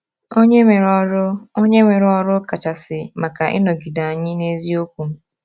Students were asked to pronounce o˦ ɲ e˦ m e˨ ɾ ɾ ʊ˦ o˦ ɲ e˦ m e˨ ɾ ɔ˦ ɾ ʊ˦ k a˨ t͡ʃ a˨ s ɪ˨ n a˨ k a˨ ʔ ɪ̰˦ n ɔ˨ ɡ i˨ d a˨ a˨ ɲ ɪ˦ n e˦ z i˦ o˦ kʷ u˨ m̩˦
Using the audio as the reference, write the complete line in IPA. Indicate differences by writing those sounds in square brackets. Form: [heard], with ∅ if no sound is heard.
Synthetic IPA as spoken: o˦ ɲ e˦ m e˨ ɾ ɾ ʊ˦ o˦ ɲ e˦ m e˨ ɾ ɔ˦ ɾ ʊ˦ k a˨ t͡ʃ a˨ s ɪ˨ [m] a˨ k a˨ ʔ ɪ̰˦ n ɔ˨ ɡ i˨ d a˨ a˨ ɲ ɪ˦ n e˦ z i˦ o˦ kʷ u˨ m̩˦